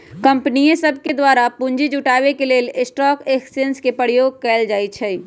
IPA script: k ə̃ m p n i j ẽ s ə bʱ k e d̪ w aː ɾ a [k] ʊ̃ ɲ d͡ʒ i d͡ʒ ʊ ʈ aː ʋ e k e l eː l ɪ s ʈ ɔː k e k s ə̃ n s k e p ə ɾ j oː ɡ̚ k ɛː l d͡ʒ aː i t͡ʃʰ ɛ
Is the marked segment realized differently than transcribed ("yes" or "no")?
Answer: yes